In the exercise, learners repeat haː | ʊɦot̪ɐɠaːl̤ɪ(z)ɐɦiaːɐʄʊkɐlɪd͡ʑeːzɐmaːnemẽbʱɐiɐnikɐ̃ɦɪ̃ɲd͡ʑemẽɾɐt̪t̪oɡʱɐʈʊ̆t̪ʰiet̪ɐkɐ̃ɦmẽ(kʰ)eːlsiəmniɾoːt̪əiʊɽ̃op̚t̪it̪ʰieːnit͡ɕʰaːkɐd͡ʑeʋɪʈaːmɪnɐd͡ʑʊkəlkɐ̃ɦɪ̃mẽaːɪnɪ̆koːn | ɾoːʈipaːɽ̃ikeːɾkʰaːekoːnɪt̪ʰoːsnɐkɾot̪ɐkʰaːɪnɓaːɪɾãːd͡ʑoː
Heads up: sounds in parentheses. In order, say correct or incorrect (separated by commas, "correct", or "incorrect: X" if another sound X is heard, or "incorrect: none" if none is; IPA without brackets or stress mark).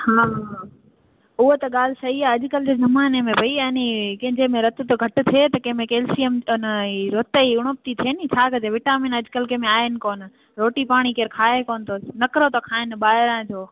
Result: incorrect: s, incorrect: k